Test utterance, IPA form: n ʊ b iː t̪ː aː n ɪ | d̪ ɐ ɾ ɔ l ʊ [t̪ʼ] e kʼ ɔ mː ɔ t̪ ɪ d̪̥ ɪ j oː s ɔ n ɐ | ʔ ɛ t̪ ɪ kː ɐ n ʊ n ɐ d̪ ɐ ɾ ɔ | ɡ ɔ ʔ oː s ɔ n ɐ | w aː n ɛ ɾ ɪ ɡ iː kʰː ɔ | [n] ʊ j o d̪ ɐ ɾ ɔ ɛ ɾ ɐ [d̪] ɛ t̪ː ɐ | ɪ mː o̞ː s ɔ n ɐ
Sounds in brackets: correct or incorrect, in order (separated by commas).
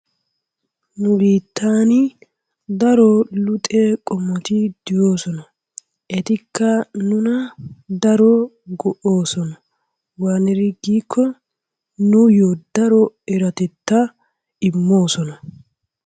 correct, correct, incorrect